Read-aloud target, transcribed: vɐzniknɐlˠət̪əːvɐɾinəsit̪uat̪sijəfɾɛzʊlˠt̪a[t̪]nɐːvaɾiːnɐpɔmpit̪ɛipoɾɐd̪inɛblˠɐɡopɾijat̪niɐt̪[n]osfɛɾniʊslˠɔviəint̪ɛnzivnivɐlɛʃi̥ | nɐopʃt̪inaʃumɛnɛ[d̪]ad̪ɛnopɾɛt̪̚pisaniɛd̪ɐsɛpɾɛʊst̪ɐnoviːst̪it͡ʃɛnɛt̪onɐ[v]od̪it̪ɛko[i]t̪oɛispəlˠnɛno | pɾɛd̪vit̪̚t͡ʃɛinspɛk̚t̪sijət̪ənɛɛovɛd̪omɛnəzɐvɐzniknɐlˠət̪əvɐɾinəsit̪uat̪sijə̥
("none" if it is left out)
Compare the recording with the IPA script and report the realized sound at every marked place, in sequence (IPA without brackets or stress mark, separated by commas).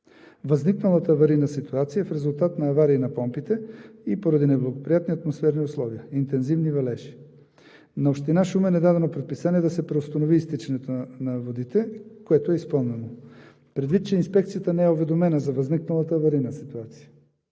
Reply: t̪, m, d̪, v, ɛ